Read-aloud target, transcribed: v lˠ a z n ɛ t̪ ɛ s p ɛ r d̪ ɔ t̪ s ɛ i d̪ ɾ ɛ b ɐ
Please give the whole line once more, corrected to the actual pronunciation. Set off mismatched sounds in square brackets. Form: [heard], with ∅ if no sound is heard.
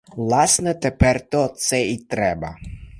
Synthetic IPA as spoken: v lˠ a [s] n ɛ t̪ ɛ [∅] p ɛ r [t̪] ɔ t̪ s ɛ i [t̪] ɾ ɛ b ɐ

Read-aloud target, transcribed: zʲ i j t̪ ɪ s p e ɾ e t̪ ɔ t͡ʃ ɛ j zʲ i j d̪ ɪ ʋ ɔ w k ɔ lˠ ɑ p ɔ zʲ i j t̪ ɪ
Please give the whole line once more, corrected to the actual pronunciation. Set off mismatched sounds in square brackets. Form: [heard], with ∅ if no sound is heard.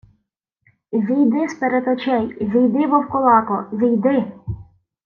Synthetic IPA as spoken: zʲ i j [d̪] ɪ s p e ɾ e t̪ ɔ t͡ʃ ɛ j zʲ i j d̪ ɪ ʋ ɔ w k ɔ lˠ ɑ [k] ɔ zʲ i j [d̪] ɪ

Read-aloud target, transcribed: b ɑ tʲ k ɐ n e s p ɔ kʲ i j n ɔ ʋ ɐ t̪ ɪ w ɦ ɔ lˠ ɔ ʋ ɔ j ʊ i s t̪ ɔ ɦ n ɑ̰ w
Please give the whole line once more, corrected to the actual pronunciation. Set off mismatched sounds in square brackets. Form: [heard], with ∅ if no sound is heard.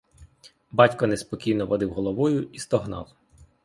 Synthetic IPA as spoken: b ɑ tʲ k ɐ n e s p ɔ kʲ i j n ɔ ʋ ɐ [d̪] ɪ w ɦ ɔ lˠ ɔ ʋ ɔ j ʊ i s t̪ ɔ ɦ n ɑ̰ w

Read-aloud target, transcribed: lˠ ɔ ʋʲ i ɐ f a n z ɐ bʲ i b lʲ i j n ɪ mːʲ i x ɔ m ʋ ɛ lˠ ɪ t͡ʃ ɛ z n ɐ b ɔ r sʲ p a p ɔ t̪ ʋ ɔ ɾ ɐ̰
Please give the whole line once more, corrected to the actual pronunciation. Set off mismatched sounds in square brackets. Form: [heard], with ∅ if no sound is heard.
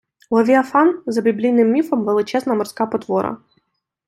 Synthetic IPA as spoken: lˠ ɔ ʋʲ i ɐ f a n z ɐ bʲ i b lʲ i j n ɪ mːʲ i [f] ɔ m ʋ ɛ lˠ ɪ t͡ʃ ɛ z n ɐ [m] ɔ r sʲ [k] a p ɔ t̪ ʋ ɔ ɾ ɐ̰

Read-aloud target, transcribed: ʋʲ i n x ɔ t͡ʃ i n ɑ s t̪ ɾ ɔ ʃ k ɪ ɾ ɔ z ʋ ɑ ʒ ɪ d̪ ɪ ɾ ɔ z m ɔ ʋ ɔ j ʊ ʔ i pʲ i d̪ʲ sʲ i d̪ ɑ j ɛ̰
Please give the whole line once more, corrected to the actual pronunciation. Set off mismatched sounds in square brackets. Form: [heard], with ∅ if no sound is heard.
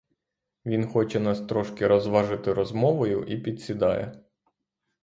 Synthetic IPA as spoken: ʋʲ i n x ɔ t͡ʃ [ɛ] n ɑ s t̪ ɾ ɔ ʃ k ɪ ɾ ɔ z ʋ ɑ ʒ ɪ [t̪] ɪ ɾ ɔ z m ɔ ʋ ɔ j ʊ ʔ i pʲ i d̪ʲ sʲ i d̪ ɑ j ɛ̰

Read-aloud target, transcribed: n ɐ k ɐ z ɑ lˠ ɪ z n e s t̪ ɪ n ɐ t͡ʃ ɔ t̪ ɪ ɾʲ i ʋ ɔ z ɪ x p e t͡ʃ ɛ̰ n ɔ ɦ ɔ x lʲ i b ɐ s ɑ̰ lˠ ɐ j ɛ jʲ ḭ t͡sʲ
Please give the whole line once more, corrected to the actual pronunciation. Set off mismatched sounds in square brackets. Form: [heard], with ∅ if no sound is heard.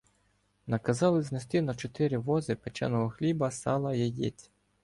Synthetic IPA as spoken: n ɐ k ɐ z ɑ lˠ ɪ z n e s t̪ ɪ n ɐ t͡ʃ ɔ t̪ ɪ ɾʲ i ʋ ɔ z ɪ [∅] p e t͡ʃ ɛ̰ n ɔ ɦ ɔ x lʲ i b ɐ s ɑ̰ lˠ ɐ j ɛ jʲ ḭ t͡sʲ

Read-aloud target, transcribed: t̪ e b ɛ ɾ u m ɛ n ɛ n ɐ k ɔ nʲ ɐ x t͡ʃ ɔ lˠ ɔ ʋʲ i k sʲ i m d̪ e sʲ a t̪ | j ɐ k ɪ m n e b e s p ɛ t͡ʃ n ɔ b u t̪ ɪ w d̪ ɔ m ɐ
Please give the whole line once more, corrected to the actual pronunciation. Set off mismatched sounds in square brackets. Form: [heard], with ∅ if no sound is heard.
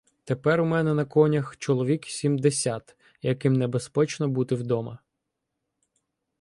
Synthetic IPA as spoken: t̪ e [p] ɛ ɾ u m ɛ n ɛ n ɐ k ɔ nʲ ɐ x t͡ʃ ɔ lˠ ɔ ʋʲ i k sʲ i m d̪ e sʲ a t̪ | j ɐ k ɪ m n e b e s p ɛ t͡ʃ n ɔ b u t̪ ɪ w d̪ ɔ m ɐ

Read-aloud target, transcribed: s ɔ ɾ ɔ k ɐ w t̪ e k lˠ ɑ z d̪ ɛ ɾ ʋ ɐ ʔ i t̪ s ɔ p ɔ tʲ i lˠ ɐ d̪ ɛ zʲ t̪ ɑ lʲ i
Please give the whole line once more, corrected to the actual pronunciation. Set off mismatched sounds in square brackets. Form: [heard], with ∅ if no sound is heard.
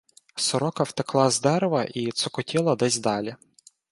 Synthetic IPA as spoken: s ɔ ɾ ɔ k ɐ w t̪ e k lˠ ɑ z d̪ ɛ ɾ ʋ ɐ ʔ i t̪ s ɔ [k] ɔ tʲ i lˠ ɐ d̪ ɛ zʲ [d̪] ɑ lʲ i

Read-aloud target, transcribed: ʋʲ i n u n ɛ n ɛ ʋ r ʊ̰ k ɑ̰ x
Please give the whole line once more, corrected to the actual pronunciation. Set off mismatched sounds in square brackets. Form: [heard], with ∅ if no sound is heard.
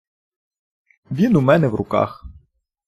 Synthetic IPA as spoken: ʋʲ i n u [m] ɛ n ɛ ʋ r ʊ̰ k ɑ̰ x

